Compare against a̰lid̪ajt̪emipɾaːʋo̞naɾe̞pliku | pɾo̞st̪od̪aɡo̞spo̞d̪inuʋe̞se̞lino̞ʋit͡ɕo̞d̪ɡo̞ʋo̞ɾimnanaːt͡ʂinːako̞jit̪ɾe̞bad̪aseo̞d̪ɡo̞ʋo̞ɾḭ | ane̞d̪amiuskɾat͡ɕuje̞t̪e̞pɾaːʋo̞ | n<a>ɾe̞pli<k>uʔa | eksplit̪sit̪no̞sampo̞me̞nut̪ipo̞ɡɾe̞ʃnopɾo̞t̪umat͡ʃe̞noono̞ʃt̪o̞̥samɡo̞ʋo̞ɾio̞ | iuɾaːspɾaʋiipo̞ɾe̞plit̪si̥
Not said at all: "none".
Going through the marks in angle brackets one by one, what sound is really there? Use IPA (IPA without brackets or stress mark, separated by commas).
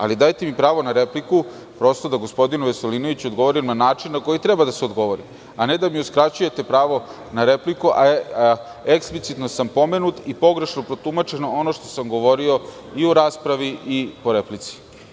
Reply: a, k